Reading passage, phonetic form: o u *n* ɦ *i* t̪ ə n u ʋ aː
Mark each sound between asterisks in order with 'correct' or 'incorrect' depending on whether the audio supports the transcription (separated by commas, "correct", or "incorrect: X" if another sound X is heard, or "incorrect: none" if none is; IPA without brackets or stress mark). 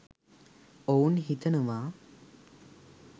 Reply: correct, correct